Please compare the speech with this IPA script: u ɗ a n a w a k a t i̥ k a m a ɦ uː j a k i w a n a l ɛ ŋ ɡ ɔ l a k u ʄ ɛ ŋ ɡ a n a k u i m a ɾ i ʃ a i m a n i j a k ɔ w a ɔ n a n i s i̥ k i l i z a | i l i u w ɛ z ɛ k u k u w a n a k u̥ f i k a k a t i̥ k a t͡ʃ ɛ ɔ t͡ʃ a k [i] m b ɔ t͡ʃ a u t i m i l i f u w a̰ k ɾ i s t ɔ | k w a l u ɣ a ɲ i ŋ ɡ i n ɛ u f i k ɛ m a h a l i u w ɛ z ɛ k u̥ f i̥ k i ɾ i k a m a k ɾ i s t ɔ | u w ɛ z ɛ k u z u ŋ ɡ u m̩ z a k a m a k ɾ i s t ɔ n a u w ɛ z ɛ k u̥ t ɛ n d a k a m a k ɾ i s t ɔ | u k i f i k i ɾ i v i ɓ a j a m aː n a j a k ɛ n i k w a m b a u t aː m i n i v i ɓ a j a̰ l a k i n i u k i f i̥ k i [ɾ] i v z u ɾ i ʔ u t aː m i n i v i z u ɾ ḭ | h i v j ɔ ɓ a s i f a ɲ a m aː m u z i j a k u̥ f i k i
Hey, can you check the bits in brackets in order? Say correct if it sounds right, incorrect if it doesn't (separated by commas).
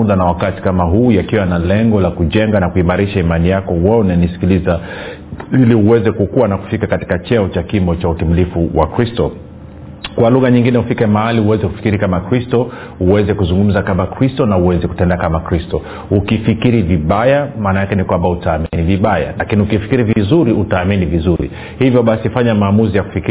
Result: correct, correct